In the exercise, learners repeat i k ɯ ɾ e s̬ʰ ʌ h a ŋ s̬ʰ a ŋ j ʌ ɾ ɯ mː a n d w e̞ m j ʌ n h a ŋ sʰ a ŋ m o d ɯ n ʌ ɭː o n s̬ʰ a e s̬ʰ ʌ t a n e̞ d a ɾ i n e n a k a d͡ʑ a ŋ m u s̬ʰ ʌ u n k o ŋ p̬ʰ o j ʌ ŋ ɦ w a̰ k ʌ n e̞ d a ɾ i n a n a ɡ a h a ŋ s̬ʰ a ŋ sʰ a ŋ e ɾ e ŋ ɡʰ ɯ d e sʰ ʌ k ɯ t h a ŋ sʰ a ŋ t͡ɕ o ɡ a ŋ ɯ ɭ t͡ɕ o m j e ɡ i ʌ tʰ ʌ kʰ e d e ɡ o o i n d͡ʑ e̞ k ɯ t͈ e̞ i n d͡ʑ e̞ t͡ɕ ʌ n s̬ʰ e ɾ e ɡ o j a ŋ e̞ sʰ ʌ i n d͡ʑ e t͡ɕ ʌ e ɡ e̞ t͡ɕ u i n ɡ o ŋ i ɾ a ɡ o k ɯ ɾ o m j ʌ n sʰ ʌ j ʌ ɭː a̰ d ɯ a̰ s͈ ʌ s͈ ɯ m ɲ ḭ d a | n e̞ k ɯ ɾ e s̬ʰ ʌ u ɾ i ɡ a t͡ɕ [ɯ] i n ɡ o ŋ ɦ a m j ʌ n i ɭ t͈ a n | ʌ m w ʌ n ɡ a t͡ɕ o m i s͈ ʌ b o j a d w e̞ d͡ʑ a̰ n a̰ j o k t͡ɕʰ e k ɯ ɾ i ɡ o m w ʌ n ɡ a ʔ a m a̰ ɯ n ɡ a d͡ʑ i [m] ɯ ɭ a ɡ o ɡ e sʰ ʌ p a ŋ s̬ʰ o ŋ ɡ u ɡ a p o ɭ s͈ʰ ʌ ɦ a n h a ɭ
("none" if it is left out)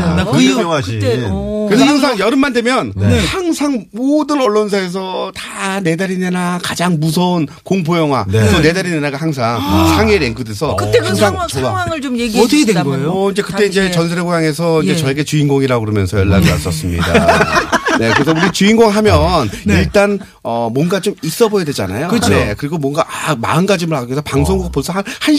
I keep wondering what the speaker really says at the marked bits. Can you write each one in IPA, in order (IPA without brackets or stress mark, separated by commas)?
u, m